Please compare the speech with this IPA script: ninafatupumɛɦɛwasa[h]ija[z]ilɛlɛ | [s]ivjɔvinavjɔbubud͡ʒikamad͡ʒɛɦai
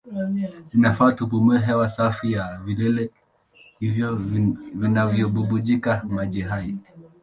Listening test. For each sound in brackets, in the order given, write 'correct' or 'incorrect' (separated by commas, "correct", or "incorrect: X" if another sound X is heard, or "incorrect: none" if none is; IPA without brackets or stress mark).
incorrect: f, incorrect: v, incorrect: h